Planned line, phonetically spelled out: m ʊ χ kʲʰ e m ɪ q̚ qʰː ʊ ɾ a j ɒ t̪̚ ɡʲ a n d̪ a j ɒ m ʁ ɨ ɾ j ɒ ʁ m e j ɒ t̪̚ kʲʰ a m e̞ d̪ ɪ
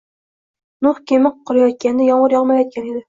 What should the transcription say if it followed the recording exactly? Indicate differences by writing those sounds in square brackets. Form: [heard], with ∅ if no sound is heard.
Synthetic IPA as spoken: [n] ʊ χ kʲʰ e m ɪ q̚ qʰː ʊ ɾ a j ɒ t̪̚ [kʲ] a n d̪ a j ɒ [ɴ] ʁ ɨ ɾ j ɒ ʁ m [a] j ɒ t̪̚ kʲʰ a [n] e̞ d̪ ɪ